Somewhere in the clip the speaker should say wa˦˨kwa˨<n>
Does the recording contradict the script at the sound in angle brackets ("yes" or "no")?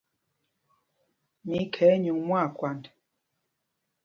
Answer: no